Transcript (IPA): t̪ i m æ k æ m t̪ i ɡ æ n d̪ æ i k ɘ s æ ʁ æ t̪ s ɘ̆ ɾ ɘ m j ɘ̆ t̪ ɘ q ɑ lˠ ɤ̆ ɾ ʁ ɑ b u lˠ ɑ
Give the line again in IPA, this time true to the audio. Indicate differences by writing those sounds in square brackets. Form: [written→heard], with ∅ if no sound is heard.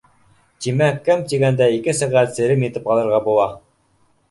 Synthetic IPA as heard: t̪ i m æ k æ m t̪ i ɡ æ n d̪ æ i k ɘ s æ ʁ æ t̪ s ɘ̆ ɾ ɘ m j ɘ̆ t̪ ɘ [q→p] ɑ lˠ ɤ̆ ɾ ʁ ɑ b u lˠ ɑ